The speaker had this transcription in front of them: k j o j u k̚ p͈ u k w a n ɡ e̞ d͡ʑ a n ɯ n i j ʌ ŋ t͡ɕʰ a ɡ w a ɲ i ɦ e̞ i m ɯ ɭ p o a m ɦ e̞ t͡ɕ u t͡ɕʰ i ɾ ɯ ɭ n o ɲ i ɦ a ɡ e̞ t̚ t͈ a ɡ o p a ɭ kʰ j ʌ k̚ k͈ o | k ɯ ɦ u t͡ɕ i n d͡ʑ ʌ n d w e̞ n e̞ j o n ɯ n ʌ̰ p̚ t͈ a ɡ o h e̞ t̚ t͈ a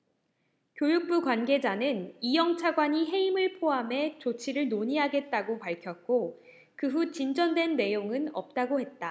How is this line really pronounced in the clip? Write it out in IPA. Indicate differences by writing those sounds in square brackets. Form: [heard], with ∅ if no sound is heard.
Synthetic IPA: k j o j u k̚ p͈ u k w a n ɡ e̞ d͡ʑ a n ɯ n i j ʌ ŋ t͡ɕʰ a ɡ w a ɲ i ɦ e̞ i m ɯ ɭ [pʰ] o a m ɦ e̞ t͡ɕ [o] t͡ɕʰ i ɾ ɯ ɭ n o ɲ i ɦ a ɡ e̞ t̚ t͈ a ɡ o p a ɭ kʰ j ʌ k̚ k͈ o | k ɯ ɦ u t͡ɕ i n d͡ʑ ʌ n d w e̞ [nː] e̞ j o [ŋ] ɯ n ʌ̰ p̚ t͈ a ɡ o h e̞ t̚ t͈ a